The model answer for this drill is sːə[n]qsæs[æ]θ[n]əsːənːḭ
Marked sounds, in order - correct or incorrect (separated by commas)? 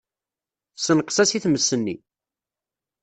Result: correct, incorrect, incorrect